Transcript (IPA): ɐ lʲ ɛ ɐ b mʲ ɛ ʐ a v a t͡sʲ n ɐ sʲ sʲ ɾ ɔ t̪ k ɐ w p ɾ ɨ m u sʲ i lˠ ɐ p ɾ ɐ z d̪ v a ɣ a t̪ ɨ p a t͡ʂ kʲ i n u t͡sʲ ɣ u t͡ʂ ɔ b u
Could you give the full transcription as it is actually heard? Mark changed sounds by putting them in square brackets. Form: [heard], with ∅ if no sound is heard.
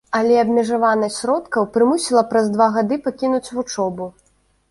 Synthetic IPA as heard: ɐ lʲ ɛ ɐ b mʲ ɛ ʐ a v a [∅] n ɐ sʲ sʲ ɾ ɔ t̪ k ɐ w p ɾ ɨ m u sʲ i lˠ ɐ p ɾ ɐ z d̪ v a ɣ a [d̪] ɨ p a [∅] kʲ i n u t͡sʲ [v] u t͡ʂ ɔ b u